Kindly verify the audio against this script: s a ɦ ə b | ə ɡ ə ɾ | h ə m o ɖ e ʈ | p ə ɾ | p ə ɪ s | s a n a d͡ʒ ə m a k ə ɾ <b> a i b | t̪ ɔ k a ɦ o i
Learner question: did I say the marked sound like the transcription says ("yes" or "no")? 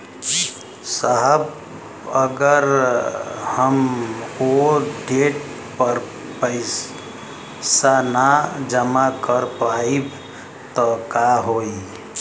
no